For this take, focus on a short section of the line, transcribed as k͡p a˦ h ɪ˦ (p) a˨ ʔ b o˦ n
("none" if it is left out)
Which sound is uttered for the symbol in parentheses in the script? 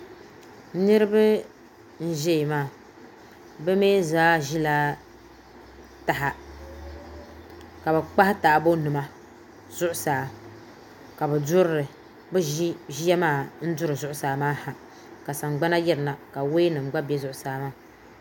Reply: t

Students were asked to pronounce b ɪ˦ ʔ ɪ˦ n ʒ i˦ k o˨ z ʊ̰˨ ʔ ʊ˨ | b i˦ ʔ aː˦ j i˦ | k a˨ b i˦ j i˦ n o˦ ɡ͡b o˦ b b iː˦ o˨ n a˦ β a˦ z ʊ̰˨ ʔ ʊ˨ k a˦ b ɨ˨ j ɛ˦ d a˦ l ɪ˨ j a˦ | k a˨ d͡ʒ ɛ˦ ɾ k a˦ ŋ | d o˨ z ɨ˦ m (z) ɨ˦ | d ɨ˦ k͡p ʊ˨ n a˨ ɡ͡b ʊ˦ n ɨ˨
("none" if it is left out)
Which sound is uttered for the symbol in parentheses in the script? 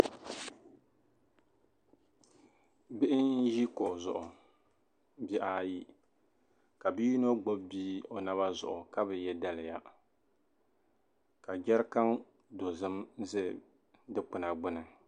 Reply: z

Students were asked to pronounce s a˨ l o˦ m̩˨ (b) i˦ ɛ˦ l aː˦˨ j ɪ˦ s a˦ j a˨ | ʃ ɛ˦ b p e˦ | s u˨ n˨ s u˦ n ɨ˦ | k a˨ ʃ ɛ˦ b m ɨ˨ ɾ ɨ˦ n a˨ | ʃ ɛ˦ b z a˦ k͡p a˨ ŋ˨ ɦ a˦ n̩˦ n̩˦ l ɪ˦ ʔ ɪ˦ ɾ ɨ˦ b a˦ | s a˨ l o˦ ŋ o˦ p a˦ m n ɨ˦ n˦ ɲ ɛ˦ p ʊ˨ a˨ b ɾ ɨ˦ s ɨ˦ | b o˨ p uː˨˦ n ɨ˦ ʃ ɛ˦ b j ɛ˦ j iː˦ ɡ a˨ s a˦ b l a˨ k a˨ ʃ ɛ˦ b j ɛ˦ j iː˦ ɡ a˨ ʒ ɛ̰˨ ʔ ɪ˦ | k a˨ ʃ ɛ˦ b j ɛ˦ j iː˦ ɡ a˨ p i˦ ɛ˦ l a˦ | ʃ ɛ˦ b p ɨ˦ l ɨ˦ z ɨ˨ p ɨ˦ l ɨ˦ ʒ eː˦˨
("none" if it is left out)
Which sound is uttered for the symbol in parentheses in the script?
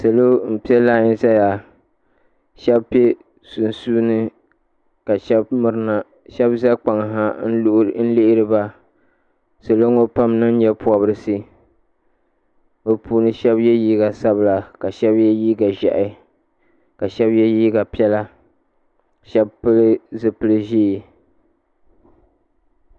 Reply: p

